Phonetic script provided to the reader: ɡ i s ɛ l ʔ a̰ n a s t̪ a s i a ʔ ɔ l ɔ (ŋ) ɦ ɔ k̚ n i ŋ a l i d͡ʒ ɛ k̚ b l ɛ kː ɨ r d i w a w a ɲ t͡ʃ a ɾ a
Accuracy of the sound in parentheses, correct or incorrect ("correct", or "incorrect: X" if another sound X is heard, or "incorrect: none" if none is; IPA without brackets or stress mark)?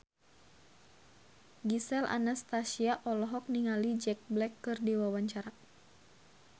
incorrect: none